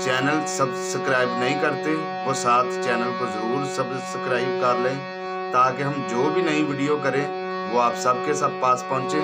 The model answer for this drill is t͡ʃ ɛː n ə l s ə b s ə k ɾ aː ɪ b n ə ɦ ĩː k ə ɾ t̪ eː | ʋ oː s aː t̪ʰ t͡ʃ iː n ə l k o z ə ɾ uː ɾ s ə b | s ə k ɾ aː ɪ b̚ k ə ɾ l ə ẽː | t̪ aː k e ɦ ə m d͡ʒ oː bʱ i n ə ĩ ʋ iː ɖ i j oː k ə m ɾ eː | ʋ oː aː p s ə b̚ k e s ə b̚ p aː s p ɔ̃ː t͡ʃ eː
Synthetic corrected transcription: t͡ʃ ɛː n ə l s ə b s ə k ɾ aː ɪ b n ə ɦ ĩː k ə ɾ t̪ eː | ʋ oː s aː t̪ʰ t͡ʃ ɛː n ə l k o z ə ɾ uː ɾ s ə b | s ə k ɾ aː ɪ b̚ k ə ɾ l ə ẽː | t̪ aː k e ɦ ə m d͡ʒ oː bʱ i n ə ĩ ʋ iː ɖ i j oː k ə ɾ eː | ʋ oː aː p s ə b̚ k e s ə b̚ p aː s p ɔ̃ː t͡ʃ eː